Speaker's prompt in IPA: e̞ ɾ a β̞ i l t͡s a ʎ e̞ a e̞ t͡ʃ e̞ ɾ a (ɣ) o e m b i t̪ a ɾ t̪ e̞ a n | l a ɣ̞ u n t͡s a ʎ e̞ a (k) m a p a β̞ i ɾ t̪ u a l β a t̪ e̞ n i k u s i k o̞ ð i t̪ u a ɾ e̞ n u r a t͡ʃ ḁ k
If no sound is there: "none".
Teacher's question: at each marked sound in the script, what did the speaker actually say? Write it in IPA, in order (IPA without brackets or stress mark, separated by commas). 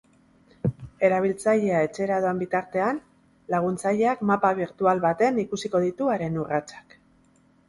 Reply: ð, k